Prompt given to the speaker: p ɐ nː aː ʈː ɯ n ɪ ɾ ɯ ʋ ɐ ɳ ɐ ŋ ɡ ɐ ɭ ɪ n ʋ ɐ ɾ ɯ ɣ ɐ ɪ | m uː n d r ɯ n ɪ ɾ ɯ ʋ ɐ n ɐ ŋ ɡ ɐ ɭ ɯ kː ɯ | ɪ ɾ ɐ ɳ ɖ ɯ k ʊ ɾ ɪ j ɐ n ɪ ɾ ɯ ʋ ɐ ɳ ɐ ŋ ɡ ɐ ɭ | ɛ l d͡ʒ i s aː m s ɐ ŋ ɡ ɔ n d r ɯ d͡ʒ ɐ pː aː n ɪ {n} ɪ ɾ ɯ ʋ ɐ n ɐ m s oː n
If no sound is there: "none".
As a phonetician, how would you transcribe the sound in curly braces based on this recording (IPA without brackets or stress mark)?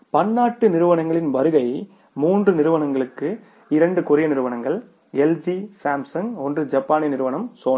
n